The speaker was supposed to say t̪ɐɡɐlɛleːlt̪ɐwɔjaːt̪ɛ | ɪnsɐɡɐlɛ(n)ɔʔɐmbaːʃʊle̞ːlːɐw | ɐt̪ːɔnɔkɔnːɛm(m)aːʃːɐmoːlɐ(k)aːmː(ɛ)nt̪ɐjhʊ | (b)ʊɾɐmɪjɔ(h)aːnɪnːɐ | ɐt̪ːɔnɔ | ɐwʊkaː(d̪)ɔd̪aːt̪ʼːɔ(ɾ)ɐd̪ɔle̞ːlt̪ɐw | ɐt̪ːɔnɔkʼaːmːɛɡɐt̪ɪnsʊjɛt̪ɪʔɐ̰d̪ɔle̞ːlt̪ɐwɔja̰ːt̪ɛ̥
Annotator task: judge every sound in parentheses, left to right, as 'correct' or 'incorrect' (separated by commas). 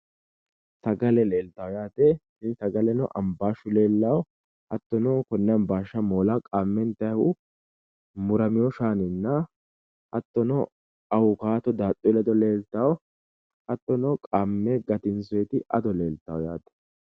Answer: correct, incorrect, incorrect, correct, incorrect, incorrect, incorrect, incorrect